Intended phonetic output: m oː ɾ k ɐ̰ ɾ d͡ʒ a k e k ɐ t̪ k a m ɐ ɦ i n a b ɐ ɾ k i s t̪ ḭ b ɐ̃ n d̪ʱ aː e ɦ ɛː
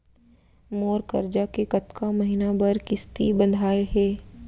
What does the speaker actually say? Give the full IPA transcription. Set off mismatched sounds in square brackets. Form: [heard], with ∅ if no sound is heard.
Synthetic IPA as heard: m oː ɾ k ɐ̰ ɾ d͡ʒ a k e k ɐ t̪ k a m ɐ ɦ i n a b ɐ ɾ k [ɪ] s t̪ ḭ b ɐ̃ n d̪ʱ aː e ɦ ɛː